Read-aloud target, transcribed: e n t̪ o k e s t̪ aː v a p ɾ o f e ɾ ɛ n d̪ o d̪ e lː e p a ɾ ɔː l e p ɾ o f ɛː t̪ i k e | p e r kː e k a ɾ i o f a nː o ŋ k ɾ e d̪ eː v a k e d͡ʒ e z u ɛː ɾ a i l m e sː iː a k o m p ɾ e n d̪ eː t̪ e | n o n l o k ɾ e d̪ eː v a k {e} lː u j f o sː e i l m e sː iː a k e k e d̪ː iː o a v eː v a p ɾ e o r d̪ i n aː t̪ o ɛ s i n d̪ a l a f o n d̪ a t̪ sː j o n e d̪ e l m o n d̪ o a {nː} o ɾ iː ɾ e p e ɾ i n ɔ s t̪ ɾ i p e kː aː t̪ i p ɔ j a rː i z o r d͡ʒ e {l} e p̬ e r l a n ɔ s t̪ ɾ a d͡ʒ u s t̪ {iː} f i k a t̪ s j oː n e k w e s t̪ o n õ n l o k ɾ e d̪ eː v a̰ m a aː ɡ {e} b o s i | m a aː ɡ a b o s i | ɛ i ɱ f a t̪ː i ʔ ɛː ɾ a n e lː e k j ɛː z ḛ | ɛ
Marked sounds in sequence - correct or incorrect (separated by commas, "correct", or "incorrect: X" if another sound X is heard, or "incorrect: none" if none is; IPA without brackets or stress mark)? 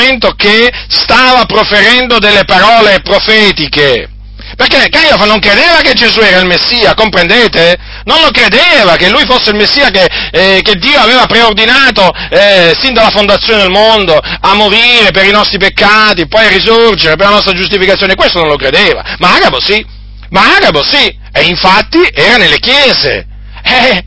correct, incorrect: mː, incorrect: ɾ, incorrect: i, incorrect: a